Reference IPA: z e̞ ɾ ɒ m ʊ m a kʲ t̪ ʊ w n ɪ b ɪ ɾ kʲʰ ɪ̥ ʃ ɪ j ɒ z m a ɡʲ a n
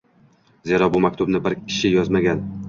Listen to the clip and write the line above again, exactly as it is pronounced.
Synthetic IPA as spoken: z e̞ ɾ ɒ b ʊ m a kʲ t̪ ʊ b n ɪ b ɪ ɾ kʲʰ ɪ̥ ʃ ɪ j ɒ z m a ɡʲ a n